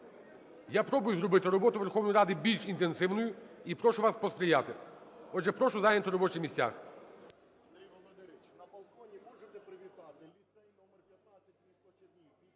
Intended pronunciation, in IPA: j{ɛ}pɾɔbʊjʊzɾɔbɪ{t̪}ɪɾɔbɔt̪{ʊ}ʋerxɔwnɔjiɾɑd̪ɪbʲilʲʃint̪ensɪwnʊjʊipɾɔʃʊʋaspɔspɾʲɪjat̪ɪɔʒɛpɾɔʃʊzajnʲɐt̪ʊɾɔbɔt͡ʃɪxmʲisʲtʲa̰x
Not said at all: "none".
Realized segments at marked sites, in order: a, t̪, ʊ

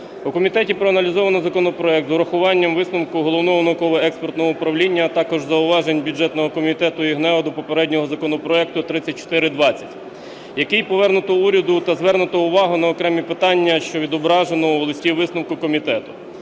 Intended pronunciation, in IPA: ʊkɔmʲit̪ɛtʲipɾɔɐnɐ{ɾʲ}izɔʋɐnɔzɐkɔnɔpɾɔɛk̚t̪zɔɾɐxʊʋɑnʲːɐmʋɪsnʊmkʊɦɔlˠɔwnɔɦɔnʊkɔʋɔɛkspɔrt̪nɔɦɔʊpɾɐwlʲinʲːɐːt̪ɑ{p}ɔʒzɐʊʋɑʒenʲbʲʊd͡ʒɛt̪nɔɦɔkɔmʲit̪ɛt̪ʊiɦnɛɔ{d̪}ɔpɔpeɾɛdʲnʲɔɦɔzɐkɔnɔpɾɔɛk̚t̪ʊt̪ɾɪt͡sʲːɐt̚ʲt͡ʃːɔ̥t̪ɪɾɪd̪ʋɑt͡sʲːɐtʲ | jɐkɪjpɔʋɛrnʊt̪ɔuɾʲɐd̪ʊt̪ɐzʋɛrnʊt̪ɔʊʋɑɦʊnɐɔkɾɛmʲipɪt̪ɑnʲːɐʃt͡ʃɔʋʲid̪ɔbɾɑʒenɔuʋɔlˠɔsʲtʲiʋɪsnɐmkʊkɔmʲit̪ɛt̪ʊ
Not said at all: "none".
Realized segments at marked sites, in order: lʲ, k, d̪

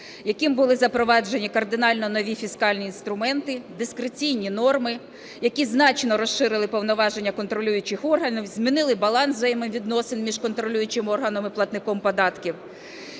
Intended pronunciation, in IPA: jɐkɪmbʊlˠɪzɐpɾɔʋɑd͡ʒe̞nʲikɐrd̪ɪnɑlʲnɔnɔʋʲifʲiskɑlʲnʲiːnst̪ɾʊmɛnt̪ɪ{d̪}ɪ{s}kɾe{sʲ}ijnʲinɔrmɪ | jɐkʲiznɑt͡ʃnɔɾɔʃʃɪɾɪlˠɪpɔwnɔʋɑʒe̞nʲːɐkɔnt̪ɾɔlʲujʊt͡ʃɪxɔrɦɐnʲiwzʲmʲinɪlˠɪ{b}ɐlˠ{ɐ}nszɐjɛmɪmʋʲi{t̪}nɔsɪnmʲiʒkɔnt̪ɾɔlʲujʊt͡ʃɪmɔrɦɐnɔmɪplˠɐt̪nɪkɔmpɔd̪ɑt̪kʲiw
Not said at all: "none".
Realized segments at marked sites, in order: d̪, s, t͡sʲ, b, ɑ, d̪

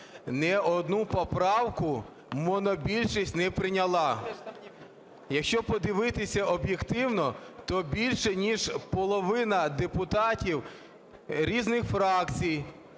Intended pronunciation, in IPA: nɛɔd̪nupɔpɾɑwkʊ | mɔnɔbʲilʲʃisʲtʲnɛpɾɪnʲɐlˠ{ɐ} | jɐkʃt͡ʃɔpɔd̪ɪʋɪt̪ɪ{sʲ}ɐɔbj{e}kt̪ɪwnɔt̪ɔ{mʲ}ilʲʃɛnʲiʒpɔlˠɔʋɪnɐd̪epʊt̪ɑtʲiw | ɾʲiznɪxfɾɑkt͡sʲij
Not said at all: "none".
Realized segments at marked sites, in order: ɑ, sʲ, e, bʲ

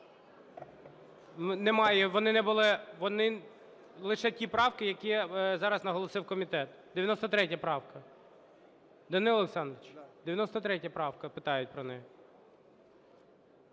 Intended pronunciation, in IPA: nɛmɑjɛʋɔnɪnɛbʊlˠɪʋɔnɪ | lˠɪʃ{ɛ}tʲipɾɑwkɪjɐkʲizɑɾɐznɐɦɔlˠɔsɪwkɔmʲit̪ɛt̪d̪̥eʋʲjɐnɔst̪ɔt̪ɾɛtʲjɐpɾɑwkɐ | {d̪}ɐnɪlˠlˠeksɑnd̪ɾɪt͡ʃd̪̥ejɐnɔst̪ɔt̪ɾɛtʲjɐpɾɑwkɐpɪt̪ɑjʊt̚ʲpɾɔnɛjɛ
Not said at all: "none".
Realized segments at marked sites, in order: ɛ, d̪

